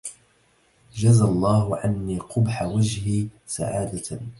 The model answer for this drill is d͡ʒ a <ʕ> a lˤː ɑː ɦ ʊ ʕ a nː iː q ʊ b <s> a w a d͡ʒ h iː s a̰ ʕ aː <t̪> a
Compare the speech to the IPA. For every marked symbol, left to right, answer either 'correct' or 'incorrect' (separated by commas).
incorrect, incorrect, incorrect